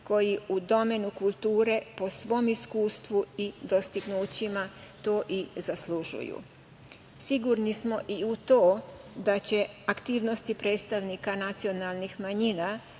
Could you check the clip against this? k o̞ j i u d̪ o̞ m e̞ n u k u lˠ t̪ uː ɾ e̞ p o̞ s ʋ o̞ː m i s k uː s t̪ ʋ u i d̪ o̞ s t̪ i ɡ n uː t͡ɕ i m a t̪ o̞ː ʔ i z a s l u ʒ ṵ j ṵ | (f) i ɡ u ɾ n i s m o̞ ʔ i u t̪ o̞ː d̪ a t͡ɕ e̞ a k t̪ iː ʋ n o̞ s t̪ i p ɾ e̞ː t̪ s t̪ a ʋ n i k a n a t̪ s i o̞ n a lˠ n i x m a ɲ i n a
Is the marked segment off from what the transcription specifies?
yes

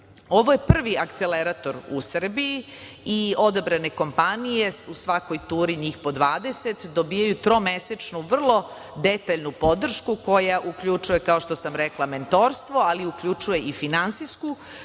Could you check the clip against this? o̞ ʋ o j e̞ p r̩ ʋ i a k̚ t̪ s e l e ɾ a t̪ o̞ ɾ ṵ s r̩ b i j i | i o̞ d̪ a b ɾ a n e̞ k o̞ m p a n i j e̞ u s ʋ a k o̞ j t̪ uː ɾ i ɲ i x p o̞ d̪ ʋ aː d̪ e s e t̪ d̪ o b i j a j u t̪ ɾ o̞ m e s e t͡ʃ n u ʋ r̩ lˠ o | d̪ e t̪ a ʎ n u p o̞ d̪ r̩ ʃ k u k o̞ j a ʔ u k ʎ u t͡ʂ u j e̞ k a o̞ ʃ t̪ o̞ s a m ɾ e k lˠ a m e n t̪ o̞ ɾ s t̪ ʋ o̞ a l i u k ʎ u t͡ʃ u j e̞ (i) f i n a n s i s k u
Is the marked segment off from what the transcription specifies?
no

